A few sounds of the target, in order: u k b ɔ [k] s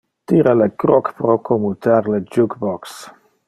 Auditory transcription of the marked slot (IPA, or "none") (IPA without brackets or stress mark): k